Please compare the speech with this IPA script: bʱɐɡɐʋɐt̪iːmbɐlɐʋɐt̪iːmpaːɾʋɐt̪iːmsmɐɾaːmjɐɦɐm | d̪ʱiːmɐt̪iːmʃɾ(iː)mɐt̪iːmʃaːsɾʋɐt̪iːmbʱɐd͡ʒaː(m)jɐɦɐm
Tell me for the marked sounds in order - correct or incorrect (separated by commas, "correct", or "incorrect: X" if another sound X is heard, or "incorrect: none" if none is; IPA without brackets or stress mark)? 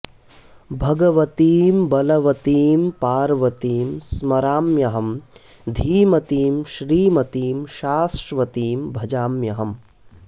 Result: correct, correct